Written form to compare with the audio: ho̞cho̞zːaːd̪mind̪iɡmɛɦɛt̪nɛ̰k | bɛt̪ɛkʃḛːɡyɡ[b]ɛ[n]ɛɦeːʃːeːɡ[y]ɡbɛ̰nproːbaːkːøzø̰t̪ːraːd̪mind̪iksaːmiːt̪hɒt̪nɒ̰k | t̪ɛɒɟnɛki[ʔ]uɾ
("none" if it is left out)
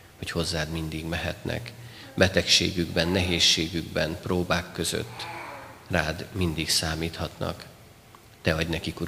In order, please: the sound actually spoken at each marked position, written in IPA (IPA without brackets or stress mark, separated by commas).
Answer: b, nː, y, k